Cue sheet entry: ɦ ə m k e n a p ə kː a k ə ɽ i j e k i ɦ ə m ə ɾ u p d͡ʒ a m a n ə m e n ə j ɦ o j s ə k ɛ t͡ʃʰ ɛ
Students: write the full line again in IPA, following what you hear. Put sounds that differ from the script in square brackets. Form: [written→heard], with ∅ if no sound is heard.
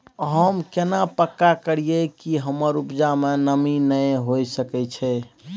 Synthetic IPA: ɦ ə m k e n a p ə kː a k ə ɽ i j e k i ɦ ə m ə ɾ u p d͡ʒ a m [a→e] n ə m [e→i] n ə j ɦ o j s ə k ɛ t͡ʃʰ ɛ

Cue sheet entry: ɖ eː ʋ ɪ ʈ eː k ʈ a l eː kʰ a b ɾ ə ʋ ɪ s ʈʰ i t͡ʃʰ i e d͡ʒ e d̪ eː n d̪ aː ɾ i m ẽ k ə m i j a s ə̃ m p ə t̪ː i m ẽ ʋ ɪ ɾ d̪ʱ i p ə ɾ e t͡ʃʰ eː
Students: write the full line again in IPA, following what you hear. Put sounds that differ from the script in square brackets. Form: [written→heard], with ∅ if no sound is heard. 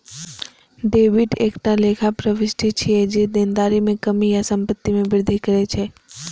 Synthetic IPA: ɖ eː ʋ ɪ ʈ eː k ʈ a l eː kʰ a [b→p] ɾ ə ʋ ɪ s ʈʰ i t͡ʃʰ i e d͡ʒ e d̪ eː n d̪ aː ɾ i m ẽ k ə m i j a s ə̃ m p ə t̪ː i m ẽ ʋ ɪ ɾ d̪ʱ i [p→k] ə ɾ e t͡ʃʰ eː

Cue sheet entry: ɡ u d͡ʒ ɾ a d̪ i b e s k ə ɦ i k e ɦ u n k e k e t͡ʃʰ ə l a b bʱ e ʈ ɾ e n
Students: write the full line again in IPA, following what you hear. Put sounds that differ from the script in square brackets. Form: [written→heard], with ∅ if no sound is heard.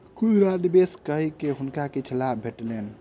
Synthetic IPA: [ɡ→k] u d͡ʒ ɾ a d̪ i b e s k ə ɦ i k e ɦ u n k [e→a] k e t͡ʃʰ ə l a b bʱ e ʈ [ɾ→l] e n

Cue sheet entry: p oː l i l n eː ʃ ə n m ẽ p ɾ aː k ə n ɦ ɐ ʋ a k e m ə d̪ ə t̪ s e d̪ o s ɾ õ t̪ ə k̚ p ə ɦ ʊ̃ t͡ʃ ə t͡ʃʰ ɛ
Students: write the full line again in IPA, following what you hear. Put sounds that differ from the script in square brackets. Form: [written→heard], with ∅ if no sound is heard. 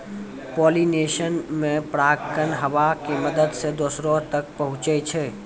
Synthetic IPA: p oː l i [l→∅] n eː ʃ ə n m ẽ p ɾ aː k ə n ɦ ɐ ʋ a k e m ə d̪ ə [t̪→d̪] s e d̪ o s ɾ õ t̪ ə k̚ p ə ɦ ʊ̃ t͡ʃ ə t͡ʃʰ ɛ

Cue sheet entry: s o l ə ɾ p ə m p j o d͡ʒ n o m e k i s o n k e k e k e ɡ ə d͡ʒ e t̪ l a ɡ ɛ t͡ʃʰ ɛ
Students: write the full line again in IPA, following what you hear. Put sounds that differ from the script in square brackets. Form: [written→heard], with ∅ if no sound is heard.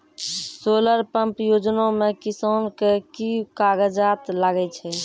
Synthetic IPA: s o l ə ɾ p ə m p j o d͡ʒ n o m e k i s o n k e k [e→i] k [e→a] ɡ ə d͡ʒ [e→a] t̪ l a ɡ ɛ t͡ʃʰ ɛ

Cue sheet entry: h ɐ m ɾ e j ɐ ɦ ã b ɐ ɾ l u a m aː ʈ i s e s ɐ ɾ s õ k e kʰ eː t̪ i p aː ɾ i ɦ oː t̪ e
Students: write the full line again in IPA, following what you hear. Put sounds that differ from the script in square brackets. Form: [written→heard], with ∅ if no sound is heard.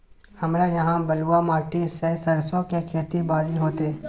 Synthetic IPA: h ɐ m ɾ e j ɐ ɦ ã b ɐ [ɾ→∅] l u a m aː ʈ i s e s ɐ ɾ s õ k e kʰ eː t̪ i [p→b] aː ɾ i ɦ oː t̪ e

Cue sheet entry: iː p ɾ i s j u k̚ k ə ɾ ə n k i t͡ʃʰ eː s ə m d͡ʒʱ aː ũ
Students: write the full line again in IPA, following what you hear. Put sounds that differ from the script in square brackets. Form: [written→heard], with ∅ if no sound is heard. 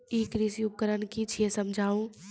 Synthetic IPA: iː [p→k] ɾ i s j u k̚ k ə ɾ ə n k i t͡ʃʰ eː s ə m d͡ʒʱ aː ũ

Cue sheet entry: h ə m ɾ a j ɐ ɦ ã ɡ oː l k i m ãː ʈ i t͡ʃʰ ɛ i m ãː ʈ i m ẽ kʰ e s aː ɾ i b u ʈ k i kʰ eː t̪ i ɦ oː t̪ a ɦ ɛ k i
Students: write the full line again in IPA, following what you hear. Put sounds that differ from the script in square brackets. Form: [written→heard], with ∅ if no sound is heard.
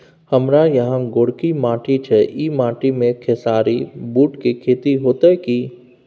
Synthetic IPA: h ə m ɾ a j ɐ ɦ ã ɡ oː [l→ɽ] k i m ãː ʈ i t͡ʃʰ ɛ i m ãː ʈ i m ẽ kʰ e s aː ɾ i b [u→uː] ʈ k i kʰ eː t̪ i ɦ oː t̪ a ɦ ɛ k i

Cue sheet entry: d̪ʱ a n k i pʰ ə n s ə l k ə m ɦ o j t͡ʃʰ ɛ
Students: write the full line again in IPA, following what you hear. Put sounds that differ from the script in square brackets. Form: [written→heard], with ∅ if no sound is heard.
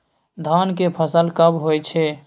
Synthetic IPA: d̪ʱ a n k [i→e] pʰ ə [n→∅] s ə l k ə [m→b] ɦ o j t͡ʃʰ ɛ

